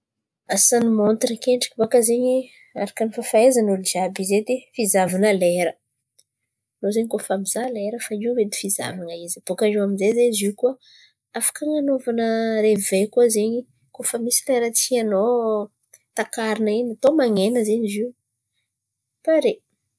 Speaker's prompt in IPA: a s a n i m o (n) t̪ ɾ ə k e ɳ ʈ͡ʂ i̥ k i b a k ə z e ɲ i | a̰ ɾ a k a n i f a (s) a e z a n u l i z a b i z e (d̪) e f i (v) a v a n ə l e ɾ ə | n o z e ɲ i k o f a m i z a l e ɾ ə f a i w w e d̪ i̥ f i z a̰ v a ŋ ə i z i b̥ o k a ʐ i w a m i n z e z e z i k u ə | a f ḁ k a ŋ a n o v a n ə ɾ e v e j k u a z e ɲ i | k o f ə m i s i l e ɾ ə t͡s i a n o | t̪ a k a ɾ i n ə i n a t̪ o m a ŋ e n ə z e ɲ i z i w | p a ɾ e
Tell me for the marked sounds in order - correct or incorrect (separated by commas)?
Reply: correct, incorrect, correct, incorrect